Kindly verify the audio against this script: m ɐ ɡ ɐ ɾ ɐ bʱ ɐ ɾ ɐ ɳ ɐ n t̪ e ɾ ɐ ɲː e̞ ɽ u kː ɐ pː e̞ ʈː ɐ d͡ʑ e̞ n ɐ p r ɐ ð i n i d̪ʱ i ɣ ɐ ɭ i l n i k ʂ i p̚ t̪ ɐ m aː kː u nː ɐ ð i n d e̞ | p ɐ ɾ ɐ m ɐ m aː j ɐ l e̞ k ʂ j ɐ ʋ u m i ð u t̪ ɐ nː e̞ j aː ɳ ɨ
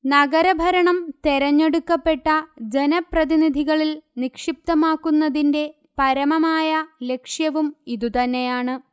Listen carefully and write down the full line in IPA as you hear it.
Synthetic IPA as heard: n ɐ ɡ ɐ ɾ ɐ bʱ ɐ ɾ ɐ ɳ ɐ m t̪ e ɾ ɐ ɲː e̞ ɽ u kː ɐ pː e̞ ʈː ɐ d͡ʑ e̞ n ɐ p r ɐ ð i n i d̪ʱ i ɣ ɐ ɭ i l n i k ʂ i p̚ t̪ ɐ m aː kː u nː ɐ ð i n d e̞ | p ɐ ɾ ɐ m ɐ m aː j ɐ l e̞ k ʂ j ɐ ʋ u m i ð u t̪ ɐ nː e̞ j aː ɳ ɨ